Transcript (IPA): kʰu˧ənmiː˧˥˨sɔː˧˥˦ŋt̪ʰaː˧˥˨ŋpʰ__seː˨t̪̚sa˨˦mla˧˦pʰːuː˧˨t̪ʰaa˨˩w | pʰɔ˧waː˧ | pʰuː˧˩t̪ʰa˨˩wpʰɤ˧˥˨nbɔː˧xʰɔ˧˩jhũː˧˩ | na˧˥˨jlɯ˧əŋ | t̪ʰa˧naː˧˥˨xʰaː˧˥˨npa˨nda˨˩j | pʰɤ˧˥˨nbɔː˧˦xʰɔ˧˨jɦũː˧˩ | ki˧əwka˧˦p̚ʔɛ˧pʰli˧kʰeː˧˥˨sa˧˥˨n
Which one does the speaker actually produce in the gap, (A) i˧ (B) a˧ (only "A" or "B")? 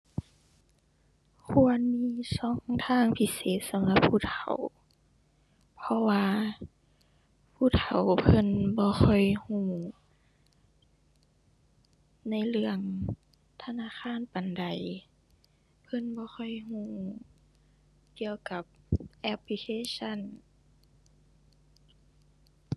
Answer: A